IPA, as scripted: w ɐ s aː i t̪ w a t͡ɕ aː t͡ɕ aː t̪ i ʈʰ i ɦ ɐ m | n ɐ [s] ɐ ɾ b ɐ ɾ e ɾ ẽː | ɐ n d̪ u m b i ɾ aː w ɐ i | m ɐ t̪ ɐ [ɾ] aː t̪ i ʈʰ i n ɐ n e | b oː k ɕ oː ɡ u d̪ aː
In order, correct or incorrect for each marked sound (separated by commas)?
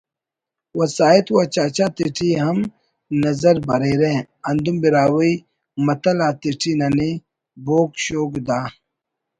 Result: incorrect, incorrect